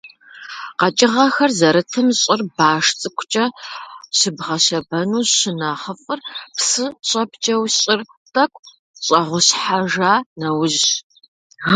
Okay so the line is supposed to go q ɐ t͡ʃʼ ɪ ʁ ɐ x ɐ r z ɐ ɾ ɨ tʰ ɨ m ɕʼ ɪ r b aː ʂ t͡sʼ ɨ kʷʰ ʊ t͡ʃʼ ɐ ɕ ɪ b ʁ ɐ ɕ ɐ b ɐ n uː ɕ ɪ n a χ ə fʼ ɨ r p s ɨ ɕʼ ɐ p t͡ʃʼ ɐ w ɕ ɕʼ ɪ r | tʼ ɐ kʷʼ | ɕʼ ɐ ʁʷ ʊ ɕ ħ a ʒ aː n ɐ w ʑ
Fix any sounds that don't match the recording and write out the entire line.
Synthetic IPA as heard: q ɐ t͡ʃʼ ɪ ʁ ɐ x ɐ r z ɐ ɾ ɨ tʰ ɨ m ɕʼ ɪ r b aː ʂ t͡sʼ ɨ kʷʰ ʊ t͡ʃʼ ɐ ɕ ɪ b ʁ ɐ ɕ ɐ b ɐ n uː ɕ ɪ n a χ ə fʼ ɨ r p s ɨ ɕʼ ɐ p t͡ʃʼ ɐ w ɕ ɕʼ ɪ r | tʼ ɐ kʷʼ | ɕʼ ɐ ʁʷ ʊ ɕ ħ a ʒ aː n ɐ w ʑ